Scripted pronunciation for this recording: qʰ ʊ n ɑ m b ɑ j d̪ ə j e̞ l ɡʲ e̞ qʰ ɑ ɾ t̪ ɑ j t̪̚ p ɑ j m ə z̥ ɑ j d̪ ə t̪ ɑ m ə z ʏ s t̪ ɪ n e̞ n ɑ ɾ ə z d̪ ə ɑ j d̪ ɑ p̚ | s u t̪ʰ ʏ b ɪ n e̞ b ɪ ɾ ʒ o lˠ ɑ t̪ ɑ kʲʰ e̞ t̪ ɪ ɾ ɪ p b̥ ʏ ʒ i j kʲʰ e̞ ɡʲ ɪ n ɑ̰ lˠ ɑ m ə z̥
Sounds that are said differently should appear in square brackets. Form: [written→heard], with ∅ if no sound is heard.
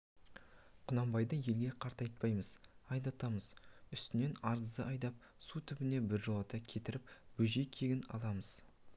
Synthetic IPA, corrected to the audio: qʰ ʊ n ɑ m b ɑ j d̪ ə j e̞ l ɡʲ e̞ qʰ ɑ ɾ t̪ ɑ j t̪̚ p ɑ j m ə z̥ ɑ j d̪ [ə→ɑ] t̪ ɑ m ə z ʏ s t̪ ɪ n e̞ n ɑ ɾ ə z d̪ ə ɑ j d̪ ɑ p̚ | s u t̪ʰ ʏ b ɪ n e̞ b ɪ ɾ ʒ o lˠ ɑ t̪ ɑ kʲʰ e̞ t̪ ɪ ɾ ɪ p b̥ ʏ ʒ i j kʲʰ e̞ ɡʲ ɪ n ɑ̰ lˠ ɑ m ə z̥